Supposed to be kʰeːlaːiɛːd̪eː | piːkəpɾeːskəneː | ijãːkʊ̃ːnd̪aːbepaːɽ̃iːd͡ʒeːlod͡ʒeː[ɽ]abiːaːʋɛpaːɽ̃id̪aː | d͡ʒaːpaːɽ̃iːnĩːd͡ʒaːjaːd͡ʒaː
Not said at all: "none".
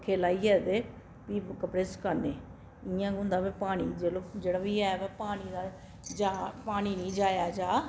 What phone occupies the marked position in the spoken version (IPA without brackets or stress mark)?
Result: ɽ